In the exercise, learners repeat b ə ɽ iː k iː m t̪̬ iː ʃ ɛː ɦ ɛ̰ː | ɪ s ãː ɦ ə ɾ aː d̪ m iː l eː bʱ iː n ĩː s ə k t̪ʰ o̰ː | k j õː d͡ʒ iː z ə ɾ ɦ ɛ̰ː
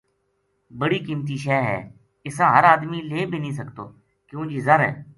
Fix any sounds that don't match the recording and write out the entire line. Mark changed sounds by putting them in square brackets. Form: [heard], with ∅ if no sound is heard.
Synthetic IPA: b ə ɽ iː k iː m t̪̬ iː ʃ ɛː ɦ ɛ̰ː | ɪ s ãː ɦ ə ɾ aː d̪ m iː l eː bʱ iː n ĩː s ə k [t̪] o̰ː | k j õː d͡ʒ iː z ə ɾ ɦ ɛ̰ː